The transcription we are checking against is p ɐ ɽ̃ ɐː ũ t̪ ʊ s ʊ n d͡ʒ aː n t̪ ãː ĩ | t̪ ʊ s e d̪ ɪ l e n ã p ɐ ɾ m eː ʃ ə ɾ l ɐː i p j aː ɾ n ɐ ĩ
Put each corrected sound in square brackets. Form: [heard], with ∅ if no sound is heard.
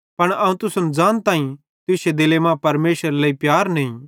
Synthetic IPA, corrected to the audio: p ɐ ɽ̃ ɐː ũ t̪ ʊ s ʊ n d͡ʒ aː n t̪ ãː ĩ | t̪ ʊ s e d̪ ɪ l e [m] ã p ɐ ɾ m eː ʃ ə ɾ l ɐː i p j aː ɾ n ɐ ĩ